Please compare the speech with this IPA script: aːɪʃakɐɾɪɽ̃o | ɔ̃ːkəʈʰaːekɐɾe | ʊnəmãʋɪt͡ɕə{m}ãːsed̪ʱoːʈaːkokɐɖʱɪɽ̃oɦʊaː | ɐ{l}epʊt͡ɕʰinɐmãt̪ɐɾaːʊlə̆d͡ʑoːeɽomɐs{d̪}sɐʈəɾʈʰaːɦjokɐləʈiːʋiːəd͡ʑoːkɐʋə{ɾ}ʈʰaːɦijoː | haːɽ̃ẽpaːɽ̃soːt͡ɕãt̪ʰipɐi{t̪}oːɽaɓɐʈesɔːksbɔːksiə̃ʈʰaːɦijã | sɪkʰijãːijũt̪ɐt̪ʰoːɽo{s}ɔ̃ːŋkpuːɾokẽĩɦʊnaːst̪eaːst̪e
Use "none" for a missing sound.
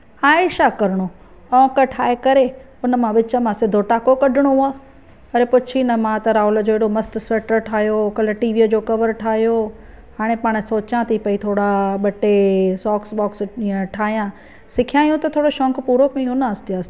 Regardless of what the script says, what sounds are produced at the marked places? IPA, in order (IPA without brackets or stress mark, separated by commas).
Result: m, ɾ, t̪, ɾ, t̪ʰ, ʃ